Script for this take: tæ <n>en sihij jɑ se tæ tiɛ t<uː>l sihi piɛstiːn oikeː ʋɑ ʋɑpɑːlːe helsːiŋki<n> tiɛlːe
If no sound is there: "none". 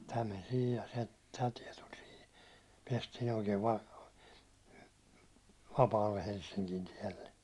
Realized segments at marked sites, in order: m, u, n

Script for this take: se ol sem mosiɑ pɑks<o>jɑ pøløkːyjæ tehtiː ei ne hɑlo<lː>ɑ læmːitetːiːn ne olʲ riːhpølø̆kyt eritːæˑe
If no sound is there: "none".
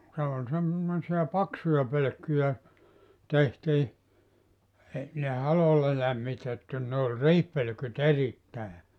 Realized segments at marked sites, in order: u, lː

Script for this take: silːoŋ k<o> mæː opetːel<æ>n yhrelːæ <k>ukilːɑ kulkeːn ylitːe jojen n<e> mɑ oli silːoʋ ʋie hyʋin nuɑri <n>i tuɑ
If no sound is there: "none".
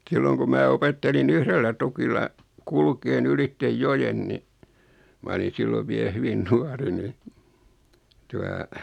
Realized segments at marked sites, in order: u, i, t, i, n

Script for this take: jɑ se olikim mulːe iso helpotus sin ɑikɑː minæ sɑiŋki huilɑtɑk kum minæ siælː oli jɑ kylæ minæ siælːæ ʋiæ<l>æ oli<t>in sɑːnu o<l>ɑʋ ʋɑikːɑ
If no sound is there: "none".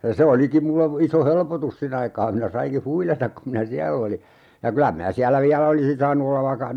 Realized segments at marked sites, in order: l, s, lː

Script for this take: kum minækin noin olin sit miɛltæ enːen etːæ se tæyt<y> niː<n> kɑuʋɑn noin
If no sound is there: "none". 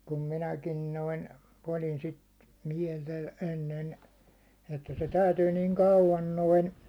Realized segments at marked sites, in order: yː, ŋ

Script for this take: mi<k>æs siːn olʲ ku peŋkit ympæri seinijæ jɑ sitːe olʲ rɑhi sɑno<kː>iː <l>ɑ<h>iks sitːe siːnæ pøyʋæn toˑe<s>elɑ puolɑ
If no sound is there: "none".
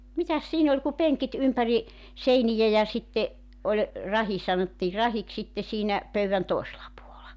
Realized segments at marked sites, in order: t, tː, r, h, s

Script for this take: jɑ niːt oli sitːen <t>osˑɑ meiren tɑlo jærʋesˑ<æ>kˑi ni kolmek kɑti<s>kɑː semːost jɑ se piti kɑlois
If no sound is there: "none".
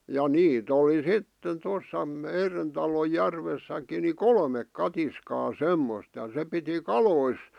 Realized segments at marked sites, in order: t, æ, s

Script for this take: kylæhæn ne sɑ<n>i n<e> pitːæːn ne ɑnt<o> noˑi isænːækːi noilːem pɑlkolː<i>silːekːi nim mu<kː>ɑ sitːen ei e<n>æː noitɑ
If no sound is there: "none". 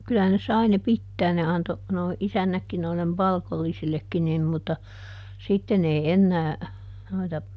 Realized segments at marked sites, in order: none, e, o, i, tː, nː

